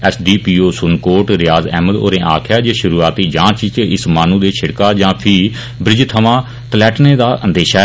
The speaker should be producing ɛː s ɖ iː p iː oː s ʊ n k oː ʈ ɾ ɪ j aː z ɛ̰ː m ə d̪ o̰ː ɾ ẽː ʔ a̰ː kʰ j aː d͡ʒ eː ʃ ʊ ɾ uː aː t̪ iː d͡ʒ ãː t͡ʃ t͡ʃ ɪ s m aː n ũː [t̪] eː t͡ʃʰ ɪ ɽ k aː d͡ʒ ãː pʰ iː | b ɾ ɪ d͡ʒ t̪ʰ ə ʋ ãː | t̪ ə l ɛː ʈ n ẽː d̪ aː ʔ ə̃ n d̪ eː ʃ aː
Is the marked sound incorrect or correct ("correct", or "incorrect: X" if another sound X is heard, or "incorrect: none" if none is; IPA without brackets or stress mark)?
incorrect: d̪